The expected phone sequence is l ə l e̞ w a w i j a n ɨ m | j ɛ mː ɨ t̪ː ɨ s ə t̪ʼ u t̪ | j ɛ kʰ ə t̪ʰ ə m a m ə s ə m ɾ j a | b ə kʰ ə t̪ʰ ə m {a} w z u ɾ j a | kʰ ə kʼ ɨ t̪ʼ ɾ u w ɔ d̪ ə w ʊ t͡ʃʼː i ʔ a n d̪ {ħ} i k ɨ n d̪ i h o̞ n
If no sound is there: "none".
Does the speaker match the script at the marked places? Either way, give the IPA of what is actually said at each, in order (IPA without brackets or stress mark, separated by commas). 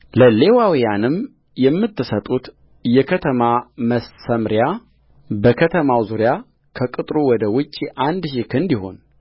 a, ʃ